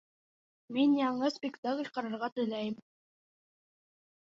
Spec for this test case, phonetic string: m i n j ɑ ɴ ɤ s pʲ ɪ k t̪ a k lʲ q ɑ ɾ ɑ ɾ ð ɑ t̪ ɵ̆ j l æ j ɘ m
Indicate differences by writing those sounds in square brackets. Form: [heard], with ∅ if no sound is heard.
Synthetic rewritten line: m i n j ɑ ɴ ɤ s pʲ ɪ k t̪ a k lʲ q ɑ ɾ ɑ ɾ [ʁ] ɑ t̪ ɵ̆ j l æ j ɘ m